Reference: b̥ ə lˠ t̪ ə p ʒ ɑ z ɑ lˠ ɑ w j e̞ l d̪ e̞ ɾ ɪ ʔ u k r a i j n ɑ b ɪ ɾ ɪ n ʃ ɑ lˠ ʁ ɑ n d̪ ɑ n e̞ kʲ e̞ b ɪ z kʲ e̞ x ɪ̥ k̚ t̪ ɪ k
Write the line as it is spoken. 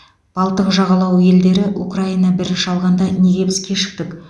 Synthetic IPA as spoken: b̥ ɑ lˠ t̪ ə q ʒ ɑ ʁ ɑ lˠ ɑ w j e̞ l d̪ e̞ ɾ ɪ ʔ u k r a i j n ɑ b ɪ ɾ ɪ n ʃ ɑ lˠ ʁ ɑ n d̪ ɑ n e̞ ɡʲ e̞ b ɪ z kʲ e̞ ʃ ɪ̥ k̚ t̪ ɪ k